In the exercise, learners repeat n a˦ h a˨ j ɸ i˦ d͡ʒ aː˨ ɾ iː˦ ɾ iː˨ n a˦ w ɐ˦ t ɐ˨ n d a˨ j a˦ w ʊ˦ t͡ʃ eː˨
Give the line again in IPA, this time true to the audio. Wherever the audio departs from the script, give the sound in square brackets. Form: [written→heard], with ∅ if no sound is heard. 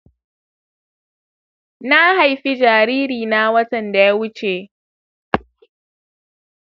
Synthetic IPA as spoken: n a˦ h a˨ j ɸ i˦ d͡ʒ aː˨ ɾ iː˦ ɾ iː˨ n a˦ w ɐ˦ t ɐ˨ n d a˨ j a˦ w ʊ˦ t͡ʃ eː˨